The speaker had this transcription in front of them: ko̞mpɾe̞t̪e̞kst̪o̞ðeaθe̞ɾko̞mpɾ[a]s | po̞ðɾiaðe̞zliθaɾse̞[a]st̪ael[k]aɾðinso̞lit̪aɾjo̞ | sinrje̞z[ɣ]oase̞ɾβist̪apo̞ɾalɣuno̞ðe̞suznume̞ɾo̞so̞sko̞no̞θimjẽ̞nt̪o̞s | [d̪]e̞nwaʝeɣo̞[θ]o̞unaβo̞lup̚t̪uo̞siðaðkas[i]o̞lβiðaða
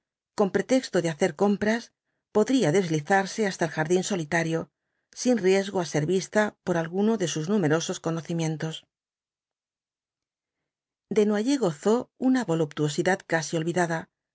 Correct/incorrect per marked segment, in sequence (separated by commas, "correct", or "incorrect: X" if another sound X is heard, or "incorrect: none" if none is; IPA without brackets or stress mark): correct, correct, incorrect: x, correct, correct, correct, correct